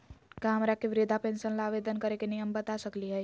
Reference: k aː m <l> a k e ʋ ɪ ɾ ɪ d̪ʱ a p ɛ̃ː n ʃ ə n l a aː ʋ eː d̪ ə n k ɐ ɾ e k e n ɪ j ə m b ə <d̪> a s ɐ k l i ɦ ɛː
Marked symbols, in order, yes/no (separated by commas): no, no